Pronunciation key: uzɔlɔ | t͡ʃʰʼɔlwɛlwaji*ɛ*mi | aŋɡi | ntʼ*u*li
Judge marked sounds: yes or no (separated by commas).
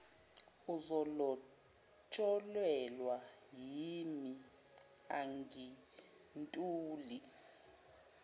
no, no